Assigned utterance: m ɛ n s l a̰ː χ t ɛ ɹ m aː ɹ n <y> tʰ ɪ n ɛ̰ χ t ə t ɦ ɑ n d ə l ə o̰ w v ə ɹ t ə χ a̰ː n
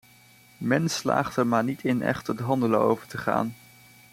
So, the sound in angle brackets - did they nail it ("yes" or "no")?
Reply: no